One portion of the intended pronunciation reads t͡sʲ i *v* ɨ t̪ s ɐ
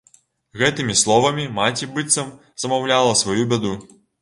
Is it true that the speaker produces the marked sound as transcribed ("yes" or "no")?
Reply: no